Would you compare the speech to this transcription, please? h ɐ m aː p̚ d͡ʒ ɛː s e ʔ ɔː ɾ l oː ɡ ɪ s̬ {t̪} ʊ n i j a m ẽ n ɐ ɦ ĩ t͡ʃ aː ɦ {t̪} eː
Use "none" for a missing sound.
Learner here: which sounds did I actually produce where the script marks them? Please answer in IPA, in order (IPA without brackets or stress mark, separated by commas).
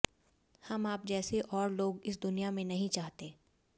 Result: d̪, t̪